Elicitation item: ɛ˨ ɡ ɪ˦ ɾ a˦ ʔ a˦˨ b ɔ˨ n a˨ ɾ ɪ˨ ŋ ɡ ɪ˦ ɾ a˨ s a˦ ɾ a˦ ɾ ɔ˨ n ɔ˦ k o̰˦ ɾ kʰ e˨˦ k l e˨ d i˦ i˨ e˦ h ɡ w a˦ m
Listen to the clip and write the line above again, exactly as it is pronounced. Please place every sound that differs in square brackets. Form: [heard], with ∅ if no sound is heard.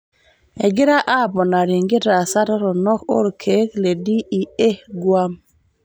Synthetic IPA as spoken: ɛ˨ ɡ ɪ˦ ɾ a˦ ʔ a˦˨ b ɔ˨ n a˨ ɾ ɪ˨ ŋ ɡ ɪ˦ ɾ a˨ s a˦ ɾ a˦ ɾ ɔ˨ n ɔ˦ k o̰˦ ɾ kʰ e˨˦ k l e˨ d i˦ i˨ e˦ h ɡ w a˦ m

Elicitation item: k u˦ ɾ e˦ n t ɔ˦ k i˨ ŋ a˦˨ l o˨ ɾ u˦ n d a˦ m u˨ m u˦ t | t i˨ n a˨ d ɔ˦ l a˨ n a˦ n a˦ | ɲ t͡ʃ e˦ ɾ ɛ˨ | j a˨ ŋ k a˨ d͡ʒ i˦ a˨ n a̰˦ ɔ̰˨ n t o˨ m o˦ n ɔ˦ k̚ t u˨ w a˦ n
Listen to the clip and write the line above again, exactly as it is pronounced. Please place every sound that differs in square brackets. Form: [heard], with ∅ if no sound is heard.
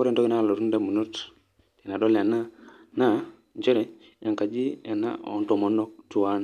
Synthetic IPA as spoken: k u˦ ɾ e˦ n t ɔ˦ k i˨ [n] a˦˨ l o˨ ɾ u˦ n d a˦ m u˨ [n] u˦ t | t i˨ n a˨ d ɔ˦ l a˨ n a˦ n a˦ | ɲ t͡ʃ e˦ ɾ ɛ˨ | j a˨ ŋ k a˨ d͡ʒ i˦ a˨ n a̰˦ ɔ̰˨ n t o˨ m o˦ n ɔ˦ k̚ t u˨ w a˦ n

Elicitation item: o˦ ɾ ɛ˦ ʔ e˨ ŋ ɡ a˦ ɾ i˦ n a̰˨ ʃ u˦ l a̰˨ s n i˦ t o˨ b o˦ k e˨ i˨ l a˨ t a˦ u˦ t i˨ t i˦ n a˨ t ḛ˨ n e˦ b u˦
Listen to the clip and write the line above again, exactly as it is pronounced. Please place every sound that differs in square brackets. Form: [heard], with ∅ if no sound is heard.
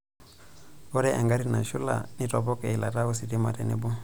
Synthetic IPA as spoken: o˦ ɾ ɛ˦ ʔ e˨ ŋ ɡ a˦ ɾ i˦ n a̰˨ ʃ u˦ l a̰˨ [∅] n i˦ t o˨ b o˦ k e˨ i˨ l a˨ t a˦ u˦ [s] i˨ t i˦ [m] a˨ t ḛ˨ n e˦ b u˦

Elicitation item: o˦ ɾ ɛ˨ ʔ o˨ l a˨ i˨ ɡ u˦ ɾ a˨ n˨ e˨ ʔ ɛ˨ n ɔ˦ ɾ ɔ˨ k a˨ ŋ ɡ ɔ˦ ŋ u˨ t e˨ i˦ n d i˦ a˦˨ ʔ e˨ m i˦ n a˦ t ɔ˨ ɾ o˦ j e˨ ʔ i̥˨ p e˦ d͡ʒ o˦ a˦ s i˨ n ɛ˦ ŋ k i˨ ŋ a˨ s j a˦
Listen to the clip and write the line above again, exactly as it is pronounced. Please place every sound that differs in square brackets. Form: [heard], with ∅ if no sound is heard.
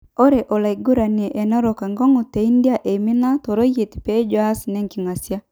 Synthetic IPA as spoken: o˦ ɾ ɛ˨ ʔ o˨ l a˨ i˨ ɡ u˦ ɾ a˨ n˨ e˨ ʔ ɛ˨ n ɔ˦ ɾ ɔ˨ k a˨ ŋ ɡ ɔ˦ ŋ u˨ t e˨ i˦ n d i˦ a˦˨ ʔ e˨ m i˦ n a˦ t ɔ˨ ɾ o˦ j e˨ [t] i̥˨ p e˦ d͡ʒ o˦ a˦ s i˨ n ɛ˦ ŋ k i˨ ŋ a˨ s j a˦

